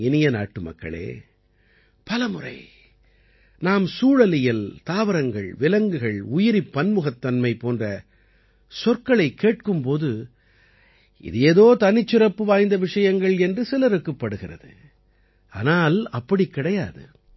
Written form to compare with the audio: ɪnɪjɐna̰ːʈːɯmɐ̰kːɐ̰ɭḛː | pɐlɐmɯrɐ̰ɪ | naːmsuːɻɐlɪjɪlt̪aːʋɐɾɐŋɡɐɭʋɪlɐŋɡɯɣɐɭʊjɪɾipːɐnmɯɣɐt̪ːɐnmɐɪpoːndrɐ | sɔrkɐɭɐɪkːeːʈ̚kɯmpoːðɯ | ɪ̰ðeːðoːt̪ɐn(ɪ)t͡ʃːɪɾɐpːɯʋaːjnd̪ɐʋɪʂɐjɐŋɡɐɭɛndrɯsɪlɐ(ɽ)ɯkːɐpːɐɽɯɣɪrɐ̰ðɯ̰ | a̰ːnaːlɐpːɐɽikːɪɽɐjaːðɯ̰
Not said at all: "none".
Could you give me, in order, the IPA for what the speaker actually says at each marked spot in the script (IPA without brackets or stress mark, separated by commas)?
ɪ, ɾ